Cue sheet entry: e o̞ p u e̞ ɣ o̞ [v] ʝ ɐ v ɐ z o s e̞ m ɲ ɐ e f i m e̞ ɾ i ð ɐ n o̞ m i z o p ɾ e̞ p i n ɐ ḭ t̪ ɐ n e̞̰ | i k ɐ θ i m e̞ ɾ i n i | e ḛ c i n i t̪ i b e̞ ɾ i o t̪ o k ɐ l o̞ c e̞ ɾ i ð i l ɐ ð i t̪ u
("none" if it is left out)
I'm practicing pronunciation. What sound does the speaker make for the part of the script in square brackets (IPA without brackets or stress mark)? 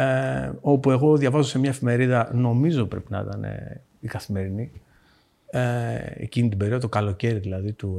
ð